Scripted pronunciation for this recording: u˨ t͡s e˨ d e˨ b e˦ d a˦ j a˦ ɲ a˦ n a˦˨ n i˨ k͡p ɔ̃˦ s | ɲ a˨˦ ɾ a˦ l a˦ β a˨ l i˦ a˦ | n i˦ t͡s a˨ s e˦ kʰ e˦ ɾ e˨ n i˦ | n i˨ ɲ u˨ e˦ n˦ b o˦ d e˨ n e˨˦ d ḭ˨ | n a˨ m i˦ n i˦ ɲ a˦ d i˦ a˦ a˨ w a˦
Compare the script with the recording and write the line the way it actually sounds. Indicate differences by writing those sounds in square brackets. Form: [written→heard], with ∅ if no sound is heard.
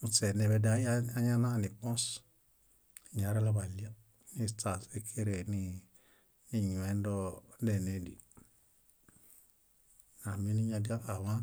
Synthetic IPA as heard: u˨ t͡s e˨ [d→n] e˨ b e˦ d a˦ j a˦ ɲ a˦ n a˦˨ n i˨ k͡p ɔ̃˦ s | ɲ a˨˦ ɾ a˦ l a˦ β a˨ l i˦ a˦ | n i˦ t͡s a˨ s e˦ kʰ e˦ ɾ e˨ n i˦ | n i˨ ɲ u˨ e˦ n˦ [b→d] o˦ d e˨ n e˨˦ d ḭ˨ | n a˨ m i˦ n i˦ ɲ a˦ d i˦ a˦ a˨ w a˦